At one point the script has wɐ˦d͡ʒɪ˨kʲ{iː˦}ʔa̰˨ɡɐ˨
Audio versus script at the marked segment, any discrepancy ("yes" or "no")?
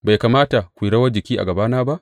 no